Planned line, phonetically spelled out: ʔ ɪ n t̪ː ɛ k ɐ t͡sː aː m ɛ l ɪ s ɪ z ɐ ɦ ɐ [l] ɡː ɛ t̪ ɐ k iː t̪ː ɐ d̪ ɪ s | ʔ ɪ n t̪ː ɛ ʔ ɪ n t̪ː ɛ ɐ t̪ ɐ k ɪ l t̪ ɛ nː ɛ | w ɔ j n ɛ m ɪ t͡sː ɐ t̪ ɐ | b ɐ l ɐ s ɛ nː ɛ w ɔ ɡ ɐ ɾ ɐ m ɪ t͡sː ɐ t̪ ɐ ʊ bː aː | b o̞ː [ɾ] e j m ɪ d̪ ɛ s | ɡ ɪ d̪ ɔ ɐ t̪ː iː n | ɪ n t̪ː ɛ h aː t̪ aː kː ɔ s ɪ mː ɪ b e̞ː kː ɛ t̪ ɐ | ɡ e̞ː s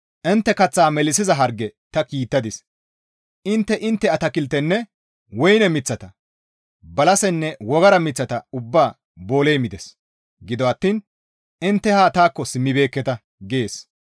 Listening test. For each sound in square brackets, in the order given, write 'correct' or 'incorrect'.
incorrect, incorrect

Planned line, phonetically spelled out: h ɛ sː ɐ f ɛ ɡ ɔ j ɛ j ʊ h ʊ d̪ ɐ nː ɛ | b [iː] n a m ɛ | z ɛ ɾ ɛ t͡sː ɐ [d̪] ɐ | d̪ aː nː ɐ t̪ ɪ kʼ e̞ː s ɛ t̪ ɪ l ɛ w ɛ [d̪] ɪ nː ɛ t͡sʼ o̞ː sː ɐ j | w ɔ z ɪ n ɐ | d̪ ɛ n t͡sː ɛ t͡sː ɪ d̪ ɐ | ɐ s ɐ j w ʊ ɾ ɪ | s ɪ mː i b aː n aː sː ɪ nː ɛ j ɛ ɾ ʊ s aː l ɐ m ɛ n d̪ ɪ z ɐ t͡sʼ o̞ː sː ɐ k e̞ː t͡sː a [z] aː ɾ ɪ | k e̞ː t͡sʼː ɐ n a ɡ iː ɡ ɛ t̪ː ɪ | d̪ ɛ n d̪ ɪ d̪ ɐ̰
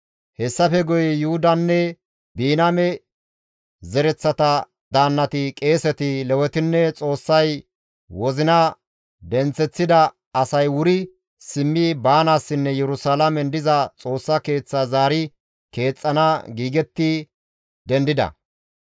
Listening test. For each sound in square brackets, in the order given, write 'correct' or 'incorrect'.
correct, incorrect, incorrect, correct

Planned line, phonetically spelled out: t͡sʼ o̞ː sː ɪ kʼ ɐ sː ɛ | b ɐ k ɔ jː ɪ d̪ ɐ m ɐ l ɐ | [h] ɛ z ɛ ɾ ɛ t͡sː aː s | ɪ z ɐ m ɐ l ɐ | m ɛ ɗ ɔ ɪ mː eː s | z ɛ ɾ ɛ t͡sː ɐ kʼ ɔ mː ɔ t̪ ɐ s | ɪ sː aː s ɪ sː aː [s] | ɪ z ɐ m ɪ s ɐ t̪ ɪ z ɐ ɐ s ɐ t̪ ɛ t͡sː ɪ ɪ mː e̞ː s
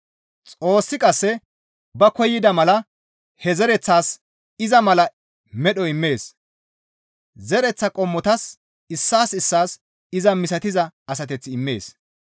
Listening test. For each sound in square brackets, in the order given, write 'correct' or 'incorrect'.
correct, correct

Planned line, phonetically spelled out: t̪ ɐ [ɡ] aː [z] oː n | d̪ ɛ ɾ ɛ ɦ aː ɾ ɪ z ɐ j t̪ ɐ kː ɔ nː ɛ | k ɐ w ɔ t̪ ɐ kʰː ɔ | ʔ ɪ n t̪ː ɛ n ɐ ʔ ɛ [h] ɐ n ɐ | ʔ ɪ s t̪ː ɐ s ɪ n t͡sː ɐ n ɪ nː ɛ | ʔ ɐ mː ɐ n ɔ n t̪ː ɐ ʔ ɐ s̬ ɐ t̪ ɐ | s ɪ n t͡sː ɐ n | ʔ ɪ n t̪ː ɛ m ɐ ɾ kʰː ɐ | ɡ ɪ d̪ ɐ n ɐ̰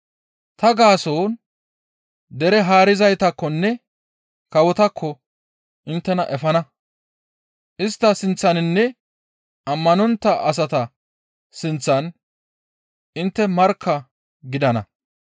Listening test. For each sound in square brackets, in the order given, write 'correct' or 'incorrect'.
correct, incorrect, incorrect

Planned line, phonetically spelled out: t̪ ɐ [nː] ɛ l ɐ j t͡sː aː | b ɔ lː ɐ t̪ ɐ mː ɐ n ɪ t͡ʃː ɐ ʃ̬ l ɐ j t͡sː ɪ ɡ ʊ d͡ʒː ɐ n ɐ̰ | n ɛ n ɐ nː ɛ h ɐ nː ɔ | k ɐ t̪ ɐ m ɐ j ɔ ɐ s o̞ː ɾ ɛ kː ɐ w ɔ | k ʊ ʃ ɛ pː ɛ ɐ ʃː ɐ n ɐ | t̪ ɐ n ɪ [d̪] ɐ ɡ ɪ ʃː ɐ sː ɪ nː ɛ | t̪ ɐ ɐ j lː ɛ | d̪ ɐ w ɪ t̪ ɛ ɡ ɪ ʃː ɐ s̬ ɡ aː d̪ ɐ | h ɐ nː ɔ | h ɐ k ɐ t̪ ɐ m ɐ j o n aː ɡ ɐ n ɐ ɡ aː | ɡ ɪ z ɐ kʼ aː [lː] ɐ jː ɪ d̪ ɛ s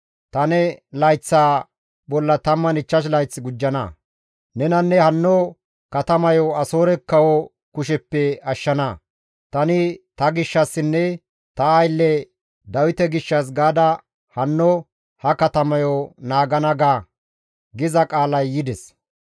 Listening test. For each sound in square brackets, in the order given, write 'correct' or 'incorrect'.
incorrect, incorrect, incorrect

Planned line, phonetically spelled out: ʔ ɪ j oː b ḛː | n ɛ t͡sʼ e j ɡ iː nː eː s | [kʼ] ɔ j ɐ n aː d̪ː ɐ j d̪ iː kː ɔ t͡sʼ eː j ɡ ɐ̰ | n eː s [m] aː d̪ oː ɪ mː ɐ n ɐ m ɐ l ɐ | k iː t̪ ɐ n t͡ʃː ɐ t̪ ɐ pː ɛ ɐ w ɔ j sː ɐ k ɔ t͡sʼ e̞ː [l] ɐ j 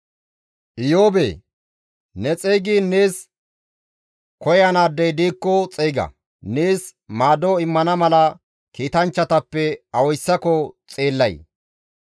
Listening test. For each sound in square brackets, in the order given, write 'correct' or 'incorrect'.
incorrect, correct, incorrect

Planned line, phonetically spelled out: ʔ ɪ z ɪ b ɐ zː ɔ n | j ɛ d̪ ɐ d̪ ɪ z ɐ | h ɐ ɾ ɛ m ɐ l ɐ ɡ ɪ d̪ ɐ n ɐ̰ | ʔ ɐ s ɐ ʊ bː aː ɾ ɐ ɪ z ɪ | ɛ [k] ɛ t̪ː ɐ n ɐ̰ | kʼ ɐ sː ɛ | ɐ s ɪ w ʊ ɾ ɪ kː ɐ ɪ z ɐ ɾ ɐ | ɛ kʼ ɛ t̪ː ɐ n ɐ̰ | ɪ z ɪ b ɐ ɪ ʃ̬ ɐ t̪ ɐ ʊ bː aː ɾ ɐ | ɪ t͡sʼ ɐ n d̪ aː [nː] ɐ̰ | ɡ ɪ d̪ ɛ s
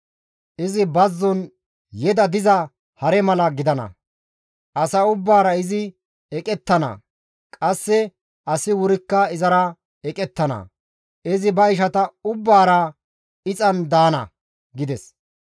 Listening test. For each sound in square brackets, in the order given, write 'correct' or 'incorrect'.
incorrect, incorrect

